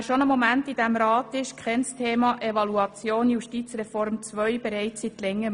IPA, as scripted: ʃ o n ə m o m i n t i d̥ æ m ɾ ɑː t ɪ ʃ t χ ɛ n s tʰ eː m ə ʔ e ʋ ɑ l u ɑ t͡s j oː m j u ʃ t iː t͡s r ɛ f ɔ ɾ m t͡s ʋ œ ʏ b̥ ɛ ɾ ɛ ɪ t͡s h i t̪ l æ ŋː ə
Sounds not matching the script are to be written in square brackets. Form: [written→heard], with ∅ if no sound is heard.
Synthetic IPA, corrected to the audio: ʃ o n ə m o m [i→æ] n t i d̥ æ m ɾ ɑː t ɪ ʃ [t→k] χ ɛ n s tʰ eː m [ə→ɑ] ʔ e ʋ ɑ l u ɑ t͡s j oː [m→n] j u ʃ t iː t͡s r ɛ f ɔ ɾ m t͡s ʋ œ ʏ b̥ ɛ ɾ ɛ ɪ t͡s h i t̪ l [æ→ɛ] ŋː ə